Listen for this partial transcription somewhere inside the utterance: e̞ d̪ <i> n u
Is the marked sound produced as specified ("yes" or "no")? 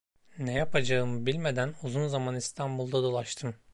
no